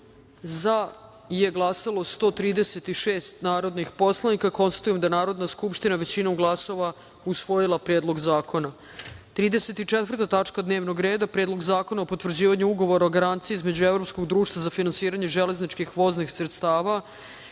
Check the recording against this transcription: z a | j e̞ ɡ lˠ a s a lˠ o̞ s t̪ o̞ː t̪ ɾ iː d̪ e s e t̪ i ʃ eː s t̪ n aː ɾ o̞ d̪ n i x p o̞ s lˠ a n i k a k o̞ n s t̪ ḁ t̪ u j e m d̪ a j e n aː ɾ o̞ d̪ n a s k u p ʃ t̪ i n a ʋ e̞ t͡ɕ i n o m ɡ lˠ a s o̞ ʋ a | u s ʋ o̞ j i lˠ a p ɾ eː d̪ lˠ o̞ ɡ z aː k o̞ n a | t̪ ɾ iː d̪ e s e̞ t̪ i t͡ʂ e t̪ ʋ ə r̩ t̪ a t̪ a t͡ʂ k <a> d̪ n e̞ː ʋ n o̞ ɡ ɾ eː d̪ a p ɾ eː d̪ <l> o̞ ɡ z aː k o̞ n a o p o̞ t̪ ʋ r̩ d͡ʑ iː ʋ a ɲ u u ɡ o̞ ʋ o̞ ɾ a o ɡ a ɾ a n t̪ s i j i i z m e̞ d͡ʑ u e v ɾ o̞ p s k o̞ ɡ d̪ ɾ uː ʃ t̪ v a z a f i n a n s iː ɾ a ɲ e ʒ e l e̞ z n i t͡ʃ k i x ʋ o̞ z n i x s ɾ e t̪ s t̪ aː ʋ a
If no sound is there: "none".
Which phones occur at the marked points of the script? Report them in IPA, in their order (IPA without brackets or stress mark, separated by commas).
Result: a, l